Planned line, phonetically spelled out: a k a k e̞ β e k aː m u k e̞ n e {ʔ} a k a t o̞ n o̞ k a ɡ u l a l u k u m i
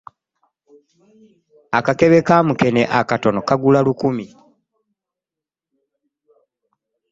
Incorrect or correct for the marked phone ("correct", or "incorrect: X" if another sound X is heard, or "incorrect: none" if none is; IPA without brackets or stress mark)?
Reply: correct